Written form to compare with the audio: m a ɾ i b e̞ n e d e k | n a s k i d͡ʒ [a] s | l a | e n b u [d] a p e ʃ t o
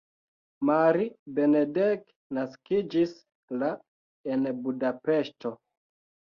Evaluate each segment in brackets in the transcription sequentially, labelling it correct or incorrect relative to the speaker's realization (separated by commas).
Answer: incorrect, correct